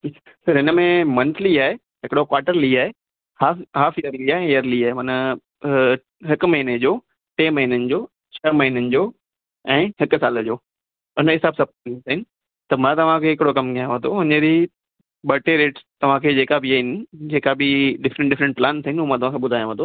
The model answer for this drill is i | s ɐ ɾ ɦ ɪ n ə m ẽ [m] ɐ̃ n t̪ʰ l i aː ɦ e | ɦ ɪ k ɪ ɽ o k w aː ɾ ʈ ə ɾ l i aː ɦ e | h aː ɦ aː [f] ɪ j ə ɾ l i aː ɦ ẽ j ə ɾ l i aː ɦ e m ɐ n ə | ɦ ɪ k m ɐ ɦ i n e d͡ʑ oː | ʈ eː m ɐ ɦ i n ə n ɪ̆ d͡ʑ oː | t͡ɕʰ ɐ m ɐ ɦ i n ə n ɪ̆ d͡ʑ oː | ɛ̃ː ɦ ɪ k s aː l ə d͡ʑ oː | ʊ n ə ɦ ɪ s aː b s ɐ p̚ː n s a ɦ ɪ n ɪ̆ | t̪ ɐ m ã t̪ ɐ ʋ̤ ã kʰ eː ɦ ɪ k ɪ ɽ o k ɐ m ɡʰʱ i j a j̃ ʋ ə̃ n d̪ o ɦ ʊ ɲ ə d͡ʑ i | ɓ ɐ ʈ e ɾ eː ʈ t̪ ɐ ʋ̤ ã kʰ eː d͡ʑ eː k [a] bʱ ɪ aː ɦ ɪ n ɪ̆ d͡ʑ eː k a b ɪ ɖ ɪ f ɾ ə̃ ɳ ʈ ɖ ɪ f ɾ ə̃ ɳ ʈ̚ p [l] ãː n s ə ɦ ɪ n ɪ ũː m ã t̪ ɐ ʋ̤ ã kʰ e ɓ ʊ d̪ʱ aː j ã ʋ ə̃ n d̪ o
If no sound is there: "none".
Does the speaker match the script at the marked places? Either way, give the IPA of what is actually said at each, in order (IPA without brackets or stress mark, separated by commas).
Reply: m, f, a, l